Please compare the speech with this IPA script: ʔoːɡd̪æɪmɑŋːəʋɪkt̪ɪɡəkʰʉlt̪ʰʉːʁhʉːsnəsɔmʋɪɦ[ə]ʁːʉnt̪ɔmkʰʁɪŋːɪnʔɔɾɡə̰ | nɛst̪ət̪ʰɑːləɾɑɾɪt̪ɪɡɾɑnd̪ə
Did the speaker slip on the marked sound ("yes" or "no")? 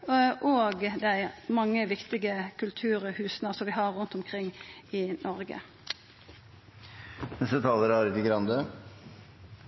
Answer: yes